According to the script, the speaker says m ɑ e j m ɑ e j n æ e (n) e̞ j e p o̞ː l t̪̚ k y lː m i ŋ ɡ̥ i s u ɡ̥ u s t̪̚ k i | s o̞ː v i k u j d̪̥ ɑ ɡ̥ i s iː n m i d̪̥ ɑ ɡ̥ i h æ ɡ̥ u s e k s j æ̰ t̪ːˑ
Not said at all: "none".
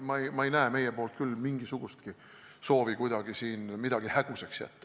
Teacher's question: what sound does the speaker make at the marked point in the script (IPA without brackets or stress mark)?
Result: m